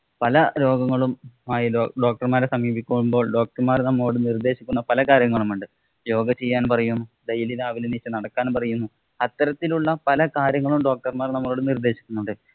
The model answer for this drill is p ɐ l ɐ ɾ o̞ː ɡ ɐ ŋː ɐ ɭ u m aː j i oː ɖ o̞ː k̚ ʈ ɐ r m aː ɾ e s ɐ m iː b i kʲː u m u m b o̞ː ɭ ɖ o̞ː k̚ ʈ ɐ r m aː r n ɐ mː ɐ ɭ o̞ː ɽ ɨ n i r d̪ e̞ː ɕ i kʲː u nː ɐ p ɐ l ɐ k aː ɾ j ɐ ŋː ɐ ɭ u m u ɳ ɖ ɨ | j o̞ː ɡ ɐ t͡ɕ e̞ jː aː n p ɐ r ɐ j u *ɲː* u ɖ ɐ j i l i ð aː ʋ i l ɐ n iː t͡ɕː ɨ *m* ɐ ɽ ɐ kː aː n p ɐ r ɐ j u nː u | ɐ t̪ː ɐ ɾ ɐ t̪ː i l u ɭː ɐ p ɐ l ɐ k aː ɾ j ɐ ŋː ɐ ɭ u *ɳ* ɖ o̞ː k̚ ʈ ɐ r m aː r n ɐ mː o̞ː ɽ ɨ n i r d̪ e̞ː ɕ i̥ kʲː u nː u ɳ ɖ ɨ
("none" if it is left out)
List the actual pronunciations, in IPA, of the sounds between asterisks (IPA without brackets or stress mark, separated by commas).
nː, n, m